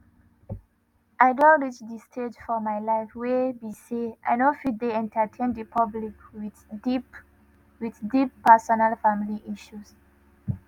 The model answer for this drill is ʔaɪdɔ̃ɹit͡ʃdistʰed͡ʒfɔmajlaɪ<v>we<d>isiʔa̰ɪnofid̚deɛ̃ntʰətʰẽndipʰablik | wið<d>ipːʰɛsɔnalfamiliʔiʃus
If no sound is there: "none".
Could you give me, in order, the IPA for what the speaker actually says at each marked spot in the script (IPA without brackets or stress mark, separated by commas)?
f, b, d